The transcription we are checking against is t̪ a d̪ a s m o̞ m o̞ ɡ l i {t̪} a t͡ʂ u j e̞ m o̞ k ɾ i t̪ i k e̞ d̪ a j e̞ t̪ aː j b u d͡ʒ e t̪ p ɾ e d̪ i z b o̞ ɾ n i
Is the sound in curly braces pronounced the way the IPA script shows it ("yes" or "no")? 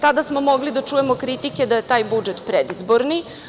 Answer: no